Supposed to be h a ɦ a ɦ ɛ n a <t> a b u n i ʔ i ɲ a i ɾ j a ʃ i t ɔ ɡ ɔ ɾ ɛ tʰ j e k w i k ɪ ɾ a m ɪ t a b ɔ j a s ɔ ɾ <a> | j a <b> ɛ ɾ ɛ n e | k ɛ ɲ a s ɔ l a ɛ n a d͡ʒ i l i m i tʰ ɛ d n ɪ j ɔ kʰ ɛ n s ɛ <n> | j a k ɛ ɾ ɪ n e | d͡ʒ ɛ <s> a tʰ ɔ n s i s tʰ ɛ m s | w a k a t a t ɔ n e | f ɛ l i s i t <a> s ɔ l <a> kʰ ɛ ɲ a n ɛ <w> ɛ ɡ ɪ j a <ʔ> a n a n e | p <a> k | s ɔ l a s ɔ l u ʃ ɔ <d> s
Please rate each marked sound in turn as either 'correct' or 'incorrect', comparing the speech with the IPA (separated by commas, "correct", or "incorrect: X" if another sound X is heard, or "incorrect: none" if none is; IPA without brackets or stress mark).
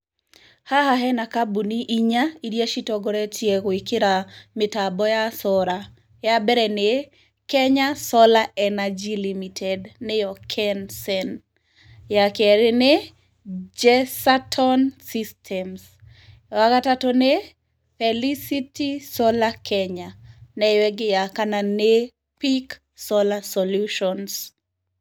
incorrect: k, correct, correct, correct, correct, incorrect: i, correct, correct, incorrect: k, incorrect: i, incorrect: n